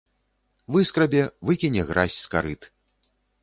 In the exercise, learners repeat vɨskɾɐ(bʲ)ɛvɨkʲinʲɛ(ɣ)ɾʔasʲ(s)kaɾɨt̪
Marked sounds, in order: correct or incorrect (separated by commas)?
correct, correct, correct